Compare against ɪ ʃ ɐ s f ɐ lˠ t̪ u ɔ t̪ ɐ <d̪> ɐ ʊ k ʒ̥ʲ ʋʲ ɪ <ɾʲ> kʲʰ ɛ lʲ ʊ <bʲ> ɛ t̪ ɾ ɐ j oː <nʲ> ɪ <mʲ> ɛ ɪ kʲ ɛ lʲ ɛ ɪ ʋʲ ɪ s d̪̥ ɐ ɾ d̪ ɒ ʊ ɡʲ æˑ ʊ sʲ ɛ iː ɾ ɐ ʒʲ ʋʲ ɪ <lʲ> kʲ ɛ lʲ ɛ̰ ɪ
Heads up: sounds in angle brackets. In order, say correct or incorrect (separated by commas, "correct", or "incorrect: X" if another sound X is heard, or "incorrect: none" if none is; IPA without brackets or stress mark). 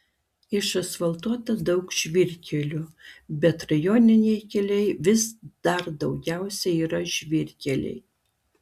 correct, correct, correct, correct, incorrect: nʲ, incorrect: ɾʲ